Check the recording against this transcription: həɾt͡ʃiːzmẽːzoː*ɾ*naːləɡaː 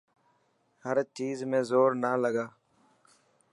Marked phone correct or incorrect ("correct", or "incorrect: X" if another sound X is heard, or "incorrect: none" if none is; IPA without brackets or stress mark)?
correct